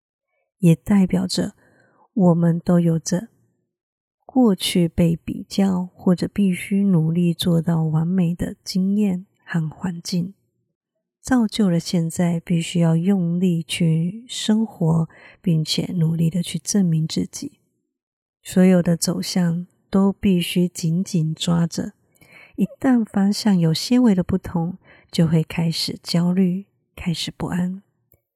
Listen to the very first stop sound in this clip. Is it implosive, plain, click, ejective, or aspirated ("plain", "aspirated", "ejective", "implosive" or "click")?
plain